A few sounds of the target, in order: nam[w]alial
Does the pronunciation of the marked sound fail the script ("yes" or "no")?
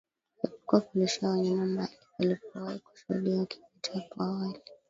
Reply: yes